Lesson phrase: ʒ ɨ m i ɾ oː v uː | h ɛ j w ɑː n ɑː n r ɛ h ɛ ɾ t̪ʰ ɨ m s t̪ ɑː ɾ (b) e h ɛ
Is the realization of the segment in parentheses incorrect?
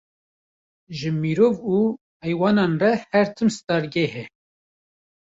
yes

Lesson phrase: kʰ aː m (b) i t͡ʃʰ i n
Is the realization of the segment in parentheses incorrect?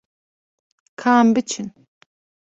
no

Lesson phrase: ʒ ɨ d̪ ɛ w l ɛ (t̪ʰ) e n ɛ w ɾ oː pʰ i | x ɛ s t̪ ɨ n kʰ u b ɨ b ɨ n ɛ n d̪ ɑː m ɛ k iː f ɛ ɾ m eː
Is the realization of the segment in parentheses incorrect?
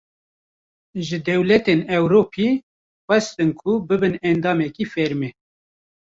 yes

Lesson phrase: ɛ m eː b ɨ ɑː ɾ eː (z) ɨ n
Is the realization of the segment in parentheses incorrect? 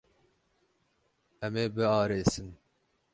yes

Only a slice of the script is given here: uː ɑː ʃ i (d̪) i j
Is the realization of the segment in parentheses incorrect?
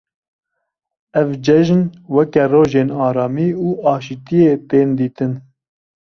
yes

